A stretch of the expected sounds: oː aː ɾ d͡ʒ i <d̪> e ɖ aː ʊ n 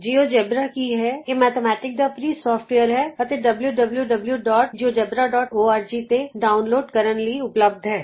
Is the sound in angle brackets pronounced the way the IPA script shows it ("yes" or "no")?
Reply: no